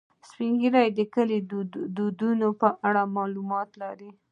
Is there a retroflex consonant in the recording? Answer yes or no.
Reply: yes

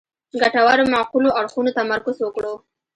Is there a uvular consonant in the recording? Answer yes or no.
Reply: yes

